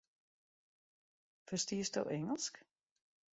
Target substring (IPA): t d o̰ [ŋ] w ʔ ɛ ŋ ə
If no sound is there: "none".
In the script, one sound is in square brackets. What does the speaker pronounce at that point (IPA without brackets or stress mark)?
none